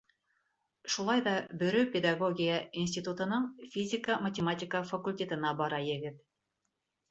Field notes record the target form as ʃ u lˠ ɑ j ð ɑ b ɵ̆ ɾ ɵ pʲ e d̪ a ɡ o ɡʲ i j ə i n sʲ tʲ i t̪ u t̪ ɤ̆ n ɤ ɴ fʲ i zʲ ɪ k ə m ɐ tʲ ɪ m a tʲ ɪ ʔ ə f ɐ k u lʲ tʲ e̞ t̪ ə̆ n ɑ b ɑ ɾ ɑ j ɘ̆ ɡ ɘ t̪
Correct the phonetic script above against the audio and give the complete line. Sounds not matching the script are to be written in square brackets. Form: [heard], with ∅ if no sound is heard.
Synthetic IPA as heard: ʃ u lˠ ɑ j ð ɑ b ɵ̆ ɾ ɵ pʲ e d̪ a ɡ o ɡʲ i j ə i n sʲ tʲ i t̪ u t̪ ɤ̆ n ɤ ɴ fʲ i zʲ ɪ k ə m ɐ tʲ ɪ m a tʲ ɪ [k] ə f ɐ k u lʲ tʲ e̞ t̪ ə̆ n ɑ b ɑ ɾ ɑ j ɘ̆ ɡ ɘ t̪